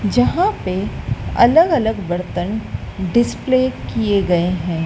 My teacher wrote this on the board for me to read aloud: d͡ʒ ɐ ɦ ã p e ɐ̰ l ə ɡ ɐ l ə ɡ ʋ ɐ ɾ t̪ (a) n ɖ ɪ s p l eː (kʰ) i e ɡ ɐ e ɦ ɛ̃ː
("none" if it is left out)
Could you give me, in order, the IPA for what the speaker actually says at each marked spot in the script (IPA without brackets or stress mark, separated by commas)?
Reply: ə, k